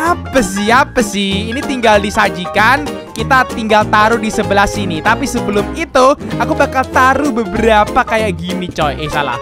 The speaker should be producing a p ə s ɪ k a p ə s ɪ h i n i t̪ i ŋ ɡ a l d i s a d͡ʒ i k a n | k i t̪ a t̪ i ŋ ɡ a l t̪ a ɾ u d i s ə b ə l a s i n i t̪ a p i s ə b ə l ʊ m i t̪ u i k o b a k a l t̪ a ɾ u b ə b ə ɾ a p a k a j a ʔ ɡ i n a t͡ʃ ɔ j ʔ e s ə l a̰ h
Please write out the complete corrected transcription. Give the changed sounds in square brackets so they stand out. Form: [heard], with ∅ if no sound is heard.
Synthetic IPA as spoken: a p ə s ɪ [∅] a p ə s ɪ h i n i t̪ i ŋ ɡ a l d i s a d͡ʒ i k a n | k i t̪ a t̪ i ŋ ɡ a l t̪ a ɾ u d i s ə b ə l a s i n i t̪ a p i s ə b ə l ʊ m i t̪ u [a] k [u] b a k a l t̪ a ɾ u b ə b ə ɾ a p a k a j a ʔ ɡ i n [i] t͡ʃ ɔ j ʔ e s [a] l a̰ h